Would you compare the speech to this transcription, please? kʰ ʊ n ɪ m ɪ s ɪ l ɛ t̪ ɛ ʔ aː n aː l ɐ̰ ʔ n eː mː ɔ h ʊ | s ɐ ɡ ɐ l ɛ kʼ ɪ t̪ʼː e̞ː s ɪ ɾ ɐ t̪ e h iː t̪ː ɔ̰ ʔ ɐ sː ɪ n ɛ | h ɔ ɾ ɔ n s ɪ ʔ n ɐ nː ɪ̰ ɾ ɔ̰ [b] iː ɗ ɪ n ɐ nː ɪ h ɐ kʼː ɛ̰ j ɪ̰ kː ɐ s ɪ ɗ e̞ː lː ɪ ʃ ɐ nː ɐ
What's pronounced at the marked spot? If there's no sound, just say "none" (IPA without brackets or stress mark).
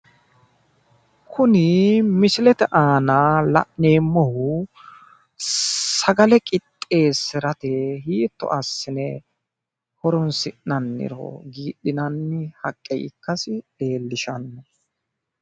ɡ